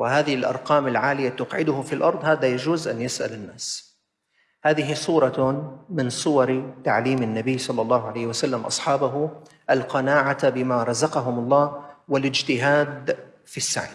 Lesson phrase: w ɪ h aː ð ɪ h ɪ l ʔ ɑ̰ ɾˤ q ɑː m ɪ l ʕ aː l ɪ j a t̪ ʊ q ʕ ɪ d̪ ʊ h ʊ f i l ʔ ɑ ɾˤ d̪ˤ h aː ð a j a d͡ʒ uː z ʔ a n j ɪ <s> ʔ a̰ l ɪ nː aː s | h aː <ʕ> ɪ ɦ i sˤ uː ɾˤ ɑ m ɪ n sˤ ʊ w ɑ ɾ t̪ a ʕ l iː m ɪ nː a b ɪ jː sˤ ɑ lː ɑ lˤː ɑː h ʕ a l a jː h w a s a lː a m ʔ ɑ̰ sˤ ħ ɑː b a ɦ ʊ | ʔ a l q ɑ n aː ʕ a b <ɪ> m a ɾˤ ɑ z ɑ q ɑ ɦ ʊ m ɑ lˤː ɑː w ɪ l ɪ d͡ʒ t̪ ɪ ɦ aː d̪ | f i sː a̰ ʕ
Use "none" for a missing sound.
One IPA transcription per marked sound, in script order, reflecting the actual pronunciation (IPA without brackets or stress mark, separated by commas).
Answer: s, ð, ɪ